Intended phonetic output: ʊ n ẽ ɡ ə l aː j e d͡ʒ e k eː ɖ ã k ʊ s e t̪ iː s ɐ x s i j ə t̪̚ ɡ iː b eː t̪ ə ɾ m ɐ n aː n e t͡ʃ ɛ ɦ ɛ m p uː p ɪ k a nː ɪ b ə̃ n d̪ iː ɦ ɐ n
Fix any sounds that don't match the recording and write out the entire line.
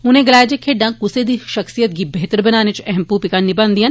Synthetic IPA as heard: ʊ n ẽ ɡ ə l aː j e d͡ʒ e kʰ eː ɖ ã k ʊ s e d̪ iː ʃ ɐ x s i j ə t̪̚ ɡ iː b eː t̪ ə ɾ b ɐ n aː n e t͡ʃ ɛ ɦ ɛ m p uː p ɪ k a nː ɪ b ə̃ n d̪ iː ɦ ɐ n